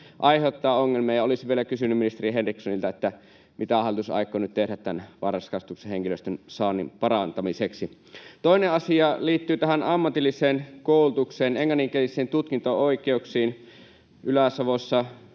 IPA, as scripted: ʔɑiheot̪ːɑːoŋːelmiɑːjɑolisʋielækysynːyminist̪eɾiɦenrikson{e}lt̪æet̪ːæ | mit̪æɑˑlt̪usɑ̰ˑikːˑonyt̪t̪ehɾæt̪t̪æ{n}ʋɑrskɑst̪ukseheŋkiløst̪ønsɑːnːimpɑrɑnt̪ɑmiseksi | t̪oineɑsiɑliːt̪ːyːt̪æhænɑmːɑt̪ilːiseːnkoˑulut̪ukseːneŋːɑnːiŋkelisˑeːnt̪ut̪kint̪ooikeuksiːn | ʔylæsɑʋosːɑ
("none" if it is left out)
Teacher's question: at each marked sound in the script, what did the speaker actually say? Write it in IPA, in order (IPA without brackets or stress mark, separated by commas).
i, n